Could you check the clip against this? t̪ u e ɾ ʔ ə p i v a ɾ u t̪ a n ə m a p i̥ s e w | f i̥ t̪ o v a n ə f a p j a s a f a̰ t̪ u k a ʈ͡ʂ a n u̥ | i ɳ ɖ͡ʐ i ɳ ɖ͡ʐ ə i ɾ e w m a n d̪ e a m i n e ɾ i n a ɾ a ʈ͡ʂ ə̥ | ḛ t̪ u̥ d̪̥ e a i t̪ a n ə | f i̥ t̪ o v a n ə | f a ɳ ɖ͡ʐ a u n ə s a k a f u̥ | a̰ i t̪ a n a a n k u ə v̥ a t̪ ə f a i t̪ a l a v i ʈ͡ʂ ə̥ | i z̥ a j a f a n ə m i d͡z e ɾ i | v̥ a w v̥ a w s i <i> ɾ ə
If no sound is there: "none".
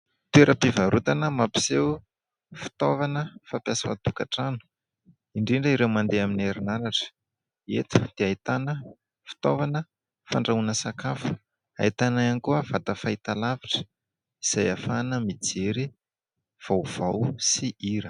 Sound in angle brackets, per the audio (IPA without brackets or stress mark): i